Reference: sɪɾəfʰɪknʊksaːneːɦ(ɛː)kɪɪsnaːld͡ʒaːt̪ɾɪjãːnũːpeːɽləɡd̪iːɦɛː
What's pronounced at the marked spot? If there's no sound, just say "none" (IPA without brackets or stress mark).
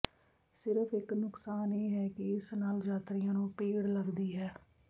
ɛː